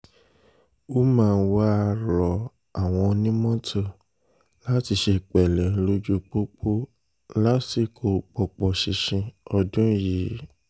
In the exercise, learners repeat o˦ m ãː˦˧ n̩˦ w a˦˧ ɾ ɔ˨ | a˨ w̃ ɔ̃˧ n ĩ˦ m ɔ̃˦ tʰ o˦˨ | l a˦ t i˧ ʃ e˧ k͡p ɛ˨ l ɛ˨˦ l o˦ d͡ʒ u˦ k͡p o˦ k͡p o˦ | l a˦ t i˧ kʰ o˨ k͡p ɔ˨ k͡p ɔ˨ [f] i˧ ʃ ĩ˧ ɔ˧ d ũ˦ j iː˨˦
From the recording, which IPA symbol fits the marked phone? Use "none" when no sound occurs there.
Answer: ʃ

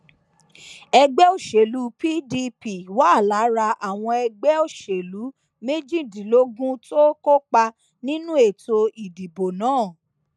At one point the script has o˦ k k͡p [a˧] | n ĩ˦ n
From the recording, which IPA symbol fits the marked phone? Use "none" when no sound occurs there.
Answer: a˧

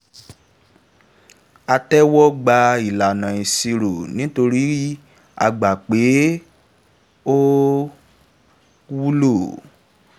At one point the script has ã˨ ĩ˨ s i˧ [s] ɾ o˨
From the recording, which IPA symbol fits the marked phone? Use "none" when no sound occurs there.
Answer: none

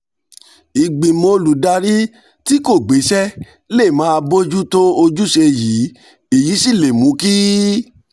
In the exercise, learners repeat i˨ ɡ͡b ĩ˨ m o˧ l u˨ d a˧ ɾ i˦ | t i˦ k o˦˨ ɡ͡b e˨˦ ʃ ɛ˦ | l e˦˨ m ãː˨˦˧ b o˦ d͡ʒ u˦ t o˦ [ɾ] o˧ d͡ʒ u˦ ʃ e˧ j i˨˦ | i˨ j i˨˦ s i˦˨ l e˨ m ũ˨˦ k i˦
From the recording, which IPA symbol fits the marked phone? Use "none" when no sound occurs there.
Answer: none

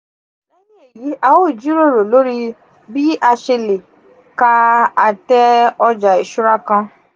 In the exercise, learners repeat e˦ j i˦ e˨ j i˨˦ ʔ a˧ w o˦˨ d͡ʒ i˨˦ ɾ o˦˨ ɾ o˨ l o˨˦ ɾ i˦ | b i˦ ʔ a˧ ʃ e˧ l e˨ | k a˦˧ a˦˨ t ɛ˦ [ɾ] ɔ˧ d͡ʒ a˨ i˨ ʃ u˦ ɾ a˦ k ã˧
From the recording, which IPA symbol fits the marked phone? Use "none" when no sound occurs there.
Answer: none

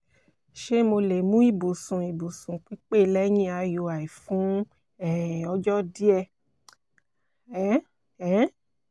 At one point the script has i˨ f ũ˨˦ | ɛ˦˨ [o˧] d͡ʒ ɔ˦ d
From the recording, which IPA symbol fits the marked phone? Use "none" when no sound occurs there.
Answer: ɔ˧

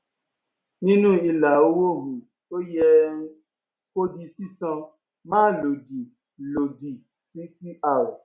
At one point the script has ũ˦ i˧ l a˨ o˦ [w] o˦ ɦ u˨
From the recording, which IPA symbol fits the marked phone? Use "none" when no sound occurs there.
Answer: w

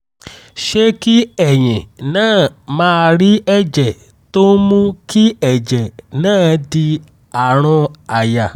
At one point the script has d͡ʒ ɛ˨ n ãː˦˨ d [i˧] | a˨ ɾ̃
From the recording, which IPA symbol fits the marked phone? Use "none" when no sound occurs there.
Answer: i˧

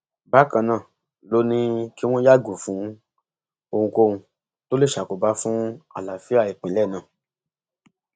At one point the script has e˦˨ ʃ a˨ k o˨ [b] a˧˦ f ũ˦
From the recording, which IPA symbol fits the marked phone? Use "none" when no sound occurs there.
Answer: b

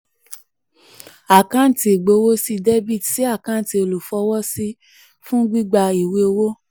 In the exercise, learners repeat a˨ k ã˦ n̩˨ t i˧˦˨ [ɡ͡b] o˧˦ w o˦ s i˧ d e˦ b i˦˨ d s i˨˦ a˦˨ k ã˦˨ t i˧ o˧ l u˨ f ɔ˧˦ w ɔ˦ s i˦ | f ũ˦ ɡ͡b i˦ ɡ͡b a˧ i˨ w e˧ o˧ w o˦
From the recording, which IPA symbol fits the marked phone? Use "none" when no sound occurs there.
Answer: ɡ͡b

